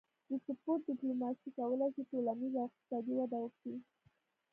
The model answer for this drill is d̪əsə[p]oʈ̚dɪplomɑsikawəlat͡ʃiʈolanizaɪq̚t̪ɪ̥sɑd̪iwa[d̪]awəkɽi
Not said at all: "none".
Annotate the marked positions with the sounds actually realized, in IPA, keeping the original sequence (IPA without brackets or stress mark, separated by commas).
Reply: p, d̪